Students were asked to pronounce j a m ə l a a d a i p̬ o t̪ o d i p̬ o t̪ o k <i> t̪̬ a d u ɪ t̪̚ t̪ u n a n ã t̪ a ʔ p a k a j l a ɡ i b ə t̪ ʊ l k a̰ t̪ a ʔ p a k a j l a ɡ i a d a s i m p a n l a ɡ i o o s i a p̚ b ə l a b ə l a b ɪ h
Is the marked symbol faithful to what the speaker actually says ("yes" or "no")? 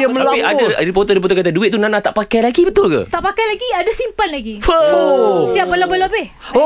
no